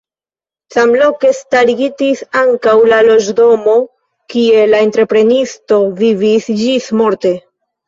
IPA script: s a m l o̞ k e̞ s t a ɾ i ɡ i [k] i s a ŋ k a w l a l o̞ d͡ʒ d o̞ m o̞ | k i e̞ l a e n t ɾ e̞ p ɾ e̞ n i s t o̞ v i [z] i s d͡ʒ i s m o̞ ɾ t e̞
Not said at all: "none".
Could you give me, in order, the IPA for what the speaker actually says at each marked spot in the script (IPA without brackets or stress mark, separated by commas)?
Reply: t, v